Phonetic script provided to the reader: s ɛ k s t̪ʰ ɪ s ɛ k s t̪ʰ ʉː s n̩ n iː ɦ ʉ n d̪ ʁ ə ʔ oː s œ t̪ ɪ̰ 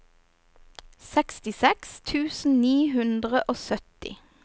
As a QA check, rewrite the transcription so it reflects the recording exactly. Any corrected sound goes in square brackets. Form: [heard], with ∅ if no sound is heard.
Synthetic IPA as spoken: s ɛ k s [t̪] ɪ s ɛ k s t̪ʰ ʉː s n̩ n iː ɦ ʉ n d̪ ʁ ə ʔ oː s œ t̪ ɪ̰